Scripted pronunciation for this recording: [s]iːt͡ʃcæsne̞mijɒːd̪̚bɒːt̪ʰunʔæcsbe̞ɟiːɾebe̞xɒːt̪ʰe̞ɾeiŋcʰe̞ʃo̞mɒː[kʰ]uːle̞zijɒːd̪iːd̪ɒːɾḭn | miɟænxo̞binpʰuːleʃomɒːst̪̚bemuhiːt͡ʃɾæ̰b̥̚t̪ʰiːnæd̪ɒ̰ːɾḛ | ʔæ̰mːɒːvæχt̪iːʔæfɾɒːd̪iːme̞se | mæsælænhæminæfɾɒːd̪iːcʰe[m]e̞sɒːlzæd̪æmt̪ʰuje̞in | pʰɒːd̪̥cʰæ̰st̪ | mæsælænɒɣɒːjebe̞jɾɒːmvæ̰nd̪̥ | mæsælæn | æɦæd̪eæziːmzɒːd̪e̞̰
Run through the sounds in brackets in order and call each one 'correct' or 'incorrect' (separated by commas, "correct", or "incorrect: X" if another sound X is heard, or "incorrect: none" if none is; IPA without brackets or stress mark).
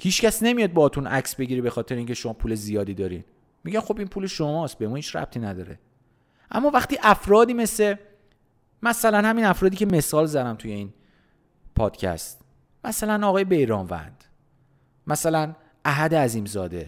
incorrect: h, incorrect: pʰ, correct